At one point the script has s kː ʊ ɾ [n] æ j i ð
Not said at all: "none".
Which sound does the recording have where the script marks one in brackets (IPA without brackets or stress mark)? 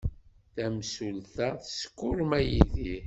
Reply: m